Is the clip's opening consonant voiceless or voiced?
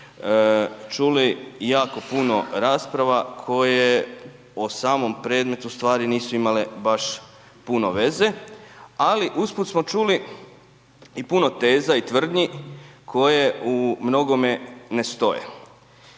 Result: voiceless